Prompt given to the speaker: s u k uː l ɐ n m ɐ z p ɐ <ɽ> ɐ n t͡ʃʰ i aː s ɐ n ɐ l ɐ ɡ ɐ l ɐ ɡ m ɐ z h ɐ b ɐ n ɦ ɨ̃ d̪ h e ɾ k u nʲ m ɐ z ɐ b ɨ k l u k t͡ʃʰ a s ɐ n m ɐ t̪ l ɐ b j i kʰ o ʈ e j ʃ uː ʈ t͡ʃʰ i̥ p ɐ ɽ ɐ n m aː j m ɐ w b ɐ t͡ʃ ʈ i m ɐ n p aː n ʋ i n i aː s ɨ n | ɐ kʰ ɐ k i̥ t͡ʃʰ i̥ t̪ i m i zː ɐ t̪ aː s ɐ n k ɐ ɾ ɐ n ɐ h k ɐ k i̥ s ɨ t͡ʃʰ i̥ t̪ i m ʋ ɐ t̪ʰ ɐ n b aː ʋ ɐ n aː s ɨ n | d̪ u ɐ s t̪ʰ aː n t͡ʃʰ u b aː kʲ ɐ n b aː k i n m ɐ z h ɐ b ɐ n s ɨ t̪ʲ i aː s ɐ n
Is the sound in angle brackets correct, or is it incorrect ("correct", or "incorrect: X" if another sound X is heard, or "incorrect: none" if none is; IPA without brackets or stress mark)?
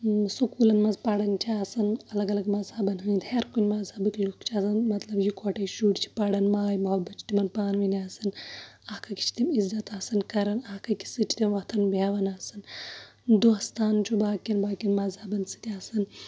correct